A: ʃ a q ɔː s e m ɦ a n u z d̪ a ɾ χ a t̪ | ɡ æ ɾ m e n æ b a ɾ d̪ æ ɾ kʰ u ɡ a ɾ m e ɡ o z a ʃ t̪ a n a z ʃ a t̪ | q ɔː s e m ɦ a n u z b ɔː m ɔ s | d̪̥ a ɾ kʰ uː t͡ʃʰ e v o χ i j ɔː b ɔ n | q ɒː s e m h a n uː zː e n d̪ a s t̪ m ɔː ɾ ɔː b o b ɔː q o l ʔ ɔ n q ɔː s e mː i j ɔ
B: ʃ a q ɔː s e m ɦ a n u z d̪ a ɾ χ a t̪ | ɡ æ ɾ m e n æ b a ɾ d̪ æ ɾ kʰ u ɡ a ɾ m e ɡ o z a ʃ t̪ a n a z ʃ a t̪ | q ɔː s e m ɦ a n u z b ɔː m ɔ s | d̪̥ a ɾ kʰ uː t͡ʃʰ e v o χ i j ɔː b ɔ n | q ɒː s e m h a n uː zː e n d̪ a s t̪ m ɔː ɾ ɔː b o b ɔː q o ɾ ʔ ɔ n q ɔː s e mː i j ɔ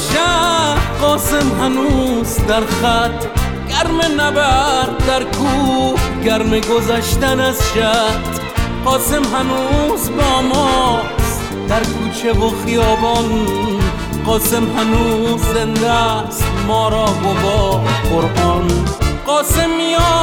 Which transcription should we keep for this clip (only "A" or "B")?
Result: B